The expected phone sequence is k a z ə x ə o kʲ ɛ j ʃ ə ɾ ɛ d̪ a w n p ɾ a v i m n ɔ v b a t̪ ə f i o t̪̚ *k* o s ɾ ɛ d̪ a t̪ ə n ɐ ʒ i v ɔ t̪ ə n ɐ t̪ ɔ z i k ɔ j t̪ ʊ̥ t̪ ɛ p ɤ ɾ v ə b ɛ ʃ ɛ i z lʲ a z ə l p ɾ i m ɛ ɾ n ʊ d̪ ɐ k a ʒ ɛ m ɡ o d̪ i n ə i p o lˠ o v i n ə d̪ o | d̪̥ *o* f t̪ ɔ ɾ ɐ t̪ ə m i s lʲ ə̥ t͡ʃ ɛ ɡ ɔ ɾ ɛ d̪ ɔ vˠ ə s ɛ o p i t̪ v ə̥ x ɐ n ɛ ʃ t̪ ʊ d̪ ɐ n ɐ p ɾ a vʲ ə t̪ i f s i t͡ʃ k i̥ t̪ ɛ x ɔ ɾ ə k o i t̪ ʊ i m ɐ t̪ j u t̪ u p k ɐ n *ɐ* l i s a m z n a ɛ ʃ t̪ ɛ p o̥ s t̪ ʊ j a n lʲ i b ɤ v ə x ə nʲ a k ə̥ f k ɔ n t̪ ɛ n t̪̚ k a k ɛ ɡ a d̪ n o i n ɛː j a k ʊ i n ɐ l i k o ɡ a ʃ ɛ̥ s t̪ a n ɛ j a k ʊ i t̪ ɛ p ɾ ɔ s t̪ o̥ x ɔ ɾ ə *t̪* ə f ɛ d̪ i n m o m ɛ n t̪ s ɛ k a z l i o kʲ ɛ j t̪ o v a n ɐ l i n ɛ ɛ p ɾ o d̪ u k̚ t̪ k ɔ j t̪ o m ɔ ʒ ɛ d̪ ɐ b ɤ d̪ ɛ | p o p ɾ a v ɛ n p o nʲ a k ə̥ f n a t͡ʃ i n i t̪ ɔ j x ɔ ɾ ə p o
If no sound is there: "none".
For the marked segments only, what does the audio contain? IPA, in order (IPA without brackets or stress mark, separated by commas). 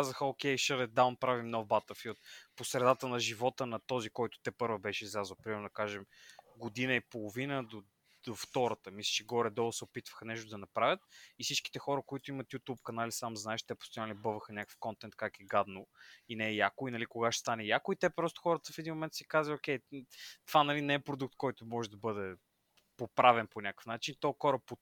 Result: p, o, a, t̪